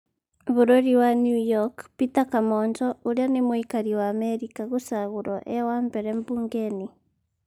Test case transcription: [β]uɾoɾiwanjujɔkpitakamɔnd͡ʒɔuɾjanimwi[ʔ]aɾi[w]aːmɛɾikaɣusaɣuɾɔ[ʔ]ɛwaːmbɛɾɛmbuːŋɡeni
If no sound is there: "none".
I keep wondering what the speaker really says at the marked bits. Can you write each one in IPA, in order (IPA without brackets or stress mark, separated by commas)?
β, k, w, ʔ